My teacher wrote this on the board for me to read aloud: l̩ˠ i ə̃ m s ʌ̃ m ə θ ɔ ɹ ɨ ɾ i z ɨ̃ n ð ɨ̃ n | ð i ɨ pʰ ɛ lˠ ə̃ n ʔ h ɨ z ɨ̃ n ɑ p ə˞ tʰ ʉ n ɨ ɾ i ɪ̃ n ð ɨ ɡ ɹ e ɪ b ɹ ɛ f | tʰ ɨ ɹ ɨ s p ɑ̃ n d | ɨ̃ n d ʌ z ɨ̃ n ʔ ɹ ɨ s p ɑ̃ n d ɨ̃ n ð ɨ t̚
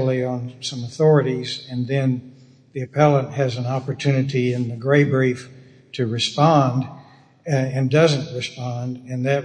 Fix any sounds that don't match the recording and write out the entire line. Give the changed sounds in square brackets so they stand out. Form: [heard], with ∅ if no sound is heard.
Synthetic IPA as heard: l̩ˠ i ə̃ [n] s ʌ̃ m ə θ ɔ ɹ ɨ ɾ i z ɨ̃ n ð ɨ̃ n | ð i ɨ pʰ ɛ lˠ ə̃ n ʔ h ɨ z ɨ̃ n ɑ p ə˞ tʰ ʉ n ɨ ɾ i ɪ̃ n ð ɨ ɡ ɹ e ɪ b ɹ [i] f | tʰ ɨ ɹ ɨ s p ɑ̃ n d | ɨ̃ n d ʌ z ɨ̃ n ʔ ɹ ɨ s p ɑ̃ n d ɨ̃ n ð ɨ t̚